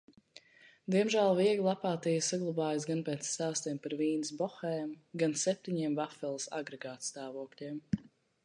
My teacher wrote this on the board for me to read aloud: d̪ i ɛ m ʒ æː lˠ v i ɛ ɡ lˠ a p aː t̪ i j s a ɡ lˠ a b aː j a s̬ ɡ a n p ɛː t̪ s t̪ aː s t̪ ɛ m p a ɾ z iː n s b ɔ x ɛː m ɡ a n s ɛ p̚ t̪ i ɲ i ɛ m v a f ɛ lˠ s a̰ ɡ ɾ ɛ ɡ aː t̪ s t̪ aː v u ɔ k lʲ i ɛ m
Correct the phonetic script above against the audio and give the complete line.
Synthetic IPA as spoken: d̪ i ɛ m ʒ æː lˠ v i ɛ ɡ lˠ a p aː t̪ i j s a ɡ lˠ a b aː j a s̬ ɡ a n p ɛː t̪ s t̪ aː s t̪ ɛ m p a ɾ v iː n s b ɔ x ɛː m ɡ a n s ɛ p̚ t̪ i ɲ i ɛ m v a f ɛ lˠ s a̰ ɡ ɾ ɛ ɡ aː t̪ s t̪ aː v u ɔ k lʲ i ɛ m